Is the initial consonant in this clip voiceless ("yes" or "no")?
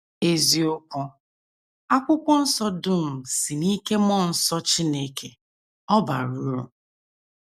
no